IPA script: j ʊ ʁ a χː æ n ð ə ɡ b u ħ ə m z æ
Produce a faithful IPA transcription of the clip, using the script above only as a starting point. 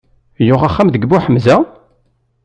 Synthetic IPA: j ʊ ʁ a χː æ m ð ə ɡ b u ħ ə m z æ